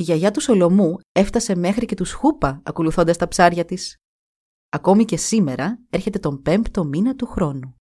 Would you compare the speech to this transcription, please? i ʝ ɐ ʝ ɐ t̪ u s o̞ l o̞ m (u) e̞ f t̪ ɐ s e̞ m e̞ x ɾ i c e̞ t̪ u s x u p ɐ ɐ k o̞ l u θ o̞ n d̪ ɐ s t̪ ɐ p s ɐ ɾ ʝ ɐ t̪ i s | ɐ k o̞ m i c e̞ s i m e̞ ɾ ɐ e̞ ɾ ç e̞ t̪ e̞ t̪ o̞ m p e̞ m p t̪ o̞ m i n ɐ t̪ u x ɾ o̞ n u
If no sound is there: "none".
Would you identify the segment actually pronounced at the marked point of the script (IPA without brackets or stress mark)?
u